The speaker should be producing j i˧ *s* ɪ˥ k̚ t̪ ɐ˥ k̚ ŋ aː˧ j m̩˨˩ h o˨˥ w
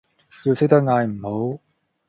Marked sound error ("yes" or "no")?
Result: no